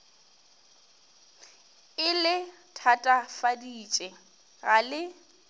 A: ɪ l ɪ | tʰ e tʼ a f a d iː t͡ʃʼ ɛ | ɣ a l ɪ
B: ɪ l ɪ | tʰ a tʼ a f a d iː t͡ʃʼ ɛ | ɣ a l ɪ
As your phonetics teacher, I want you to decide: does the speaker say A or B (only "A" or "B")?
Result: B